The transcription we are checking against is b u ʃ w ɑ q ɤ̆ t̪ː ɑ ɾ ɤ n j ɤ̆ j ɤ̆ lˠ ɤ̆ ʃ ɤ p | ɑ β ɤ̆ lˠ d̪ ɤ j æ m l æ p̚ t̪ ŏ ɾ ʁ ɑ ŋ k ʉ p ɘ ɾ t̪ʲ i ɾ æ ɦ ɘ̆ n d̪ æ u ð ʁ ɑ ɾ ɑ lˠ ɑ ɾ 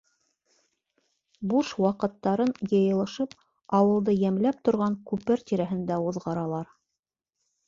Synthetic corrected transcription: b u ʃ w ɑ q ɤ̆ t̪ː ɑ ɾ ɤ n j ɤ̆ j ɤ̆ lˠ ɤ̆ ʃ ɤ p | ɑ w ɤ̆ lˠ d̪ ɤ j æ m l æ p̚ t̪ ŏ ɾ ʁ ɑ ŋ k ʉ p ɘ ɾ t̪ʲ i ɾ æ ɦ ɘ̆ n d̪ æ u ð ʁ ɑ ɾ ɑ lˠ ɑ ɾ